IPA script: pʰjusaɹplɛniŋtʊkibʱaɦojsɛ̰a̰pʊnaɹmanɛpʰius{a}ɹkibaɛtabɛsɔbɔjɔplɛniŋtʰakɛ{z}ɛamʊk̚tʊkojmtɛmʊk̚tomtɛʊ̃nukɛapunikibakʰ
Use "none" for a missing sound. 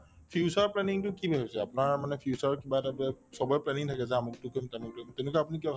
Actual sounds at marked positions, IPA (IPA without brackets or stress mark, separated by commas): a, z